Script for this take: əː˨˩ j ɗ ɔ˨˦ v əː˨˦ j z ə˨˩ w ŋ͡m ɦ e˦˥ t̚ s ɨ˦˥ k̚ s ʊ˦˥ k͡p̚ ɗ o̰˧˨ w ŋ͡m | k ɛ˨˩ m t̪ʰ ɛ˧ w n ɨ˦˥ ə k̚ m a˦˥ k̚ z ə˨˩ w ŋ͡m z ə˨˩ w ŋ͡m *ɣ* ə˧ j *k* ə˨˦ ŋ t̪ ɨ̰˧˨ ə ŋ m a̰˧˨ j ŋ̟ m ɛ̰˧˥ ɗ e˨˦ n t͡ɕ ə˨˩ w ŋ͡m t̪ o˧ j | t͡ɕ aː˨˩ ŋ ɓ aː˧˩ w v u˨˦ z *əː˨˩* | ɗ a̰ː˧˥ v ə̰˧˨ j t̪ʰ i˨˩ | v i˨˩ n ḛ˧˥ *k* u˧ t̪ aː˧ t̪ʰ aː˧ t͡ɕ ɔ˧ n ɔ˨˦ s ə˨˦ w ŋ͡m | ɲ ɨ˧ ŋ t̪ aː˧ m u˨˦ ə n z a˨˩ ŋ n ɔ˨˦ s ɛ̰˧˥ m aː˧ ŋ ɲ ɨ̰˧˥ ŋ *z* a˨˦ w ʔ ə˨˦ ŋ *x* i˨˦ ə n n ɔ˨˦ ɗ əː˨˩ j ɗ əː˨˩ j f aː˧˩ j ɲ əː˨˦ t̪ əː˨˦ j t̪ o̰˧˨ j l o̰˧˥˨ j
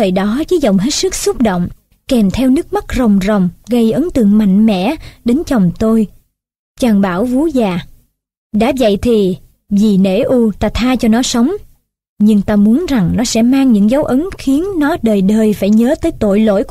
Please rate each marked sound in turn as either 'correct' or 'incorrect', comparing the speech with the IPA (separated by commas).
correct, incorrect, incorrect, incorrect, correct, correct